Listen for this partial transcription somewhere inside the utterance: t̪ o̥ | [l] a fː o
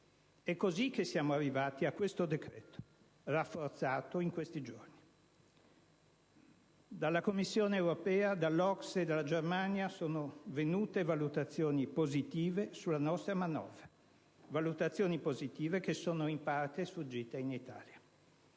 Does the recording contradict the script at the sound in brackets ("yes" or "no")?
yes